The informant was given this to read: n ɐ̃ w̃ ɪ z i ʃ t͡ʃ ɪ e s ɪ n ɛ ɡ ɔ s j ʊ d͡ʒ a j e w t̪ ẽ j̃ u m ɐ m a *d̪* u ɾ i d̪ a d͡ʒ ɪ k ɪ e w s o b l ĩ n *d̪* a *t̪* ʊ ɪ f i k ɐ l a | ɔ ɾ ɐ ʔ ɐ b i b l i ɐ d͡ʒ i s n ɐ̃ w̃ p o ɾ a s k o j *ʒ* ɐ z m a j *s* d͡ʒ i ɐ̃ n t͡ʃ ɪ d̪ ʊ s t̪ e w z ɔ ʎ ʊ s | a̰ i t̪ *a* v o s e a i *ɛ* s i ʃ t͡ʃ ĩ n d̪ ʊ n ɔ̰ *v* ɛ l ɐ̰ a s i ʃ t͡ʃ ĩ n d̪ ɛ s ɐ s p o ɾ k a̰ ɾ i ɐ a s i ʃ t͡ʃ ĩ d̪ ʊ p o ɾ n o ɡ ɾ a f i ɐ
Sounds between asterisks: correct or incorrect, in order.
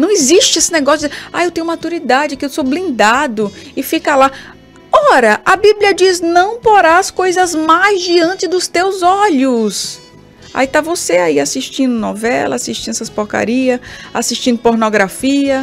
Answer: incorrect, correct, incorrect, incorrect, incorrect, correct, incorrect, correct

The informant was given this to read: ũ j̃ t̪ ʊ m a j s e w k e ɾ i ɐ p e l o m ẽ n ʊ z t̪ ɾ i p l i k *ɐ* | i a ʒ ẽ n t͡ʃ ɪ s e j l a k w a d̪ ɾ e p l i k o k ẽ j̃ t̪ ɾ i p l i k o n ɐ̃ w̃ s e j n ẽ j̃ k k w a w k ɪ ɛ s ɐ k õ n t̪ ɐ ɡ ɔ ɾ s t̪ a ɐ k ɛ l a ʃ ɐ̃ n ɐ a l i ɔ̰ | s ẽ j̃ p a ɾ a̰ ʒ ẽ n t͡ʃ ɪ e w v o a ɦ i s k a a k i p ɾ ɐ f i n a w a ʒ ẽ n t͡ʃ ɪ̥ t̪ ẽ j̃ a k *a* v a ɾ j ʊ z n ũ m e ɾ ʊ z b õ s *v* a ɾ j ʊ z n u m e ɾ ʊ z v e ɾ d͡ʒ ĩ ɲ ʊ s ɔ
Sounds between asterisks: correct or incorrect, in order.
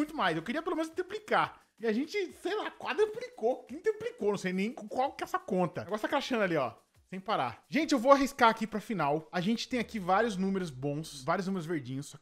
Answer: incorrect, incorrect, correct

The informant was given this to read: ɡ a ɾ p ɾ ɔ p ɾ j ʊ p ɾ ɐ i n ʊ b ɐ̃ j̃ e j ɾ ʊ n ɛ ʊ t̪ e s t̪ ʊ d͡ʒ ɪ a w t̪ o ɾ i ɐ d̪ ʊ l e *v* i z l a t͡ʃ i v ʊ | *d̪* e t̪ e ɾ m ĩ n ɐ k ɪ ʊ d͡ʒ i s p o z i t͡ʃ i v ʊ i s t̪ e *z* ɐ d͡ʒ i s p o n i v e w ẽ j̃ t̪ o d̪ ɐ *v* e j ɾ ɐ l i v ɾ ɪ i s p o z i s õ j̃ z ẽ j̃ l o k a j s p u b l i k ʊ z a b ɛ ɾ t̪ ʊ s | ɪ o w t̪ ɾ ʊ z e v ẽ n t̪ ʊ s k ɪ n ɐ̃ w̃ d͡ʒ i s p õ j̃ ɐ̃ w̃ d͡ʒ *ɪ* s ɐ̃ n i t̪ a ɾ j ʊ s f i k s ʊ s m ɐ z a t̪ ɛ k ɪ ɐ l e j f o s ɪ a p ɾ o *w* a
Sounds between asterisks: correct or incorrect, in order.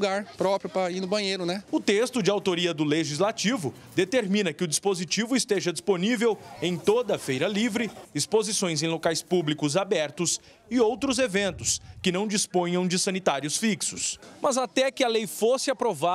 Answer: incorrect, correct, incorrect, incorrect, correct, incorrect

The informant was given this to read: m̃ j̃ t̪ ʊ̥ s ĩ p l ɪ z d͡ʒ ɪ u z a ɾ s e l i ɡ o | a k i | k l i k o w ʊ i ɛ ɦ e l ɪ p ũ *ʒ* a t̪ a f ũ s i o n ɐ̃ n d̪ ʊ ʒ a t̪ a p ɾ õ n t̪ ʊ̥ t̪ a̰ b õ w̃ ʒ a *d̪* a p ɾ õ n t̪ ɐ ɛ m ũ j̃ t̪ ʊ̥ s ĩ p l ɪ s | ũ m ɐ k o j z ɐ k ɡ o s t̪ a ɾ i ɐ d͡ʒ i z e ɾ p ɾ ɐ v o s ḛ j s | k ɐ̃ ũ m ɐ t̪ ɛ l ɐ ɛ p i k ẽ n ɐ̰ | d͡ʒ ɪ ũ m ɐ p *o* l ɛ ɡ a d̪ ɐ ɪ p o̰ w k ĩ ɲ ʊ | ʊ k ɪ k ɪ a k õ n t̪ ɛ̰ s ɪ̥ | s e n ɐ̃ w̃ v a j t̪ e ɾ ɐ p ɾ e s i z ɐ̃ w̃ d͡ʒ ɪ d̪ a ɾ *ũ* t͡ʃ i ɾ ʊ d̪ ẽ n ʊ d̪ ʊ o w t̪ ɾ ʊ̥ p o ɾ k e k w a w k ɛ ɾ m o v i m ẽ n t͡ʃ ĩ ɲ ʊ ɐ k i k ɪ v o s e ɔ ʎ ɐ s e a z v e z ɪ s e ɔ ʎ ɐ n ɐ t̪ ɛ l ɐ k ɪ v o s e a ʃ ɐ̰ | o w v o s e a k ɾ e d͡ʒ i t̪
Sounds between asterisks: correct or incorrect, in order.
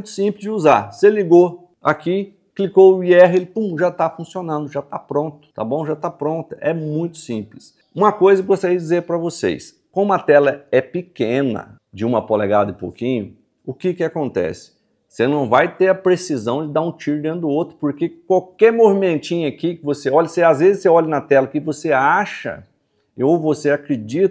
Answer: correct, incorrect, correct, correct

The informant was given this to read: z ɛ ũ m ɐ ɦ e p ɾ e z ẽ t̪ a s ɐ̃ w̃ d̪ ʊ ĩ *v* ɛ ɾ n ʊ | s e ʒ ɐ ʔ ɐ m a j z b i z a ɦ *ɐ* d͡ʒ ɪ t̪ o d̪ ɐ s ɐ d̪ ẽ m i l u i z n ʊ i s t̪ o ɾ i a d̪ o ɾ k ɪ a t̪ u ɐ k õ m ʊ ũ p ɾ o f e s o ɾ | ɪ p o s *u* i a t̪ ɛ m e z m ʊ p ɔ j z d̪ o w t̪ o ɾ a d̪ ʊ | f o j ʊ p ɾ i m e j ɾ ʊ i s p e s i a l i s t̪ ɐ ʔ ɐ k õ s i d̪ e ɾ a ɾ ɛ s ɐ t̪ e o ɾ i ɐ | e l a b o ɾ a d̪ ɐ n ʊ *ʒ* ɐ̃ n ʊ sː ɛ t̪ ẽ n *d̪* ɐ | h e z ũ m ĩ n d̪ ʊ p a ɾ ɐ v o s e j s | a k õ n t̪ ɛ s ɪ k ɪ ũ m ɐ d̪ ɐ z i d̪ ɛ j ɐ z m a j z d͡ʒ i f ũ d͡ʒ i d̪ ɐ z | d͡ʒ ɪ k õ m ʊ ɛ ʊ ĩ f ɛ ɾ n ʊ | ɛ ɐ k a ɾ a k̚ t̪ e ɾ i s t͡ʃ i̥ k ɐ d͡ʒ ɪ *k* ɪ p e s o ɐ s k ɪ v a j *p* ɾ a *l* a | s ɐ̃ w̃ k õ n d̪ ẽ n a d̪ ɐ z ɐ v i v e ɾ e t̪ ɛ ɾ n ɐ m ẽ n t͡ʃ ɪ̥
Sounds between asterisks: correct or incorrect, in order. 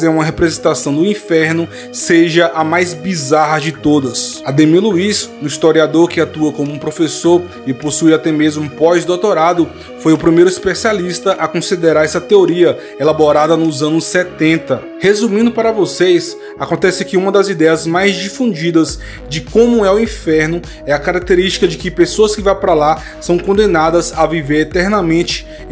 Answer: incorrect, correct, correct, incorrect, incorrect, correct, correct, correct

